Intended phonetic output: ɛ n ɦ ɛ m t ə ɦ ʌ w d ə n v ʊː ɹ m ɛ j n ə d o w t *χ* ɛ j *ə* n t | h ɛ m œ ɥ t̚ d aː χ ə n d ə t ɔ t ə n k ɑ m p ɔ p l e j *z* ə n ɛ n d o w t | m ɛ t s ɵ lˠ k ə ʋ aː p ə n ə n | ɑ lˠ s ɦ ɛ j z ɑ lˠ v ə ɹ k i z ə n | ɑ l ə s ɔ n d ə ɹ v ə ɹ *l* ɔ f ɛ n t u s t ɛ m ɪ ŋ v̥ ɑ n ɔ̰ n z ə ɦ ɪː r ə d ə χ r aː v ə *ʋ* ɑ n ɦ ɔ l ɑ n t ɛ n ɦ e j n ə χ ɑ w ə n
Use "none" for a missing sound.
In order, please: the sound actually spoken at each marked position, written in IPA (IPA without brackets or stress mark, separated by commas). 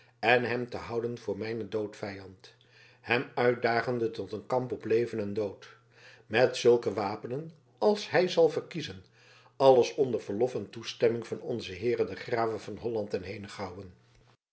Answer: f, ɑ, v, l, v